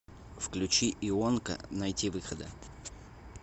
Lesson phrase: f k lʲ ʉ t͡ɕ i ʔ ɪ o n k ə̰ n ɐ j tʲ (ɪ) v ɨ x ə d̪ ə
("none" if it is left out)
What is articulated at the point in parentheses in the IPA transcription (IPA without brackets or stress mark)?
i